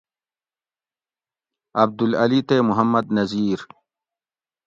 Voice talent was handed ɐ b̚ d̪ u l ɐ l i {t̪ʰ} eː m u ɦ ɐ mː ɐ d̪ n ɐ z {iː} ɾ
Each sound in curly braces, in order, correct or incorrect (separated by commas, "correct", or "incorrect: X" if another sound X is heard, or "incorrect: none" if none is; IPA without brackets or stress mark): incorrect: t̪, correct